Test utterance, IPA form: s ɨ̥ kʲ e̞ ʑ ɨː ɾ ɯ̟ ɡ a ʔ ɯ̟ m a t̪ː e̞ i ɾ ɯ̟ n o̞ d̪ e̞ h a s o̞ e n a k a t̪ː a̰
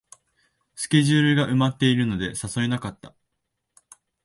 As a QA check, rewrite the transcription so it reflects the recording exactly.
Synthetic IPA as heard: s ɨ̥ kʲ e̞ ʑ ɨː ɾ ɯ̟ ɡ a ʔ ɯ̟ m a t̪ː e̞ i ɾ ɯ̟ n o̞ d̪ e̞ s a s o̞ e n a k a t̪ː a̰

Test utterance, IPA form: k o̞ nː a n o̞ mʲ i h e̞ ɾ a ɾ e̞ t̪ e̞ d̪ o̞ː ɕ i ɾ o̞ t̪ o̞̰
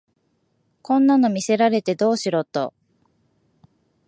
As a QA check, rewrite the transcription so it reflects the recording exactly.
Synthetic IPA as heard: k õ̞ nː a n o̞ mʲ i s e̞ ɾ a ɾ e̞ t̪ e̞ d̪ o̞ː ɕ i ɾ o̞ t̪ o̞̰

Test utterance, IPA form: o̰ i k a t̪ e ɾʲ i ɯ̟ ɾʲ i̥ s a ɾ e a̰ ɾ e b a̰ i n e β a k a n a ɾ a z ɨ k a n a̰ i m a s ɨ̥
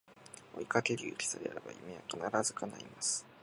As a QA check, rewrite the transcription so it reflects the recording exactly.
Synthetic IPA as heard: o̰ i k a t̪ e ɾʲ i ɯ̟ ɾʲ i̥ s a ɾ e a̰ ɾ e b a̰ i m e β a k a n a ɾ a z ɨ k a n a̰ i m a s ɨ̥

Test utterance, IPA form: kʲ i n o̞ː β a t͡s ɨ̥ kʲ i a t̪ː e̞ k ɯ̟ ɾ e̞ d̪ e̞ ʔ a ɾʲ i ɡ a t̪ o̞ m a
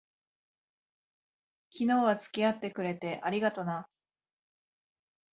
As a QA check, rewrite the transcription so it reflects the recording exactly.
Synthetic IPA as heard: kʲ i n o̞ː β a t͡s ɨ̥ kʲ i a t̪ː e̞ k ɯ̟ ɾ e̞ t̪ e̞ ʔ a ɾʲ i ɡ a t̪ o̞ n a

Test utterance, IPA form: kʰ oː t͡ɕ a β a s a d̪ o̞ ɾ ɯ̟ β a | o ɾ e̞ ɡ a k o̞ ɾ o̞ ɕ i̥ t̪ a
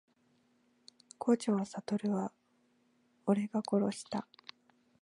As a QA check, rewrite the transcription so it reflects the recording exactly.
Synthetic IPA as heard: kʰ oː t͡ɕ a β a s a t̪ o̞ ɾ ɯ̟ β a | o ɾ e̞ ɡ a k o̞ ɾ o̞ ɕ i̥ t̪ a

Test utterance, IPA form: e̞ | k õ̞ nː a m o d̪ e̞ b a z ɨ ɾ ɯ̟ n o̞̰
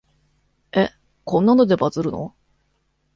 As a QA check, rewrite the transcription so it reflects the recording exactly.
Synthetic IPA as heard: e̞ | k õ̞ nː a n o d̪ e̞ b a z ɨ ɾ ɯ̟ n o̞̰

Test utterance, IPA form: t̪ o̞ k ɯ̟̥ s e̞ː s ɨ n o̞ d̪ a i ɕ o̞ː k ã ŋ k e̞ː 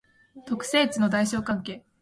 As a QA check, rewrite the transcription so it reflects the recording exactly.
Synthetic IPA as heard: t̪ o̞ k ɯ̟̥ s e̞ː t͡s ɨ n o̞ d̪ a i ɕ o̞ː k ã ŋ k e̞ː

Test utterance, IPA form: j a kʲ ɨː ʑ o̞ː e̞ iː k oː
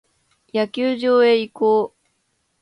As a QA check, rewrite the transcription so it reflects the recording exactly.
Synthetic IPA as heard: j a kʲ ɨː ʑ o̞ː e̞ i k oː

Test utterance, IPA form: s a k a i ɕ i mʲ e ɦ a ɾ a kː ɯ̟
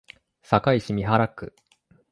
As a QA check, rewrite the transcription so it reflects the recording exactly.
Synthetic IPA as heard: s a k a i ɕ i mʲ i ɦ a ɾ a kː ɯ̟

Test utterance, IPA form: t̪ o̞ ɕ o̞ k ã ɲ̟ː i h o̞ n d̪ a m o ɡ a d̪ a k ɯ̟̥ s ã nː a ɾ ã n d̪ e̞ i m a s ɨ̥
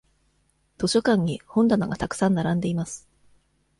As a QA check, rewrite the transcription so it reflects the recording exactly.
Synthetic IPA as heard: t̪ o̞ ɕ o̞ k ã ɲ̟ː i h õ̞ n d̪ a n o ɡ a t̪ a k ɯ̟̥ s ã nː a ɾ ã n d̪ e̞ i m a s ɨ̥

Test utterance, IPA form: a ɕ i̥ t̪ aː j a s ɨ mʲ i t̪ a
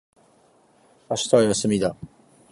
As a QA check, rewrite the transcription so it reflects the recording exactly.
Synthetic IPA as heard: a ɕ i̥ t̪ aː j a s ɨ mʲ i d̪ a

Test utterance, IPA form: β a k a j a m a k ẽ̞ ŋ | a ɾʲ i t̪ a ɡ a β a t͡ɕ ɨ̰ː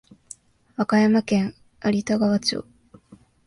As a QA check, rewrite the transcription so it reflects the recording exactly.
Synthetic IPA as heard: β a k a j a m a k ẽ̞ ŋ | a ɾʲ i t̪ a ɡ a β a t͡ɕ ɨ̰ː

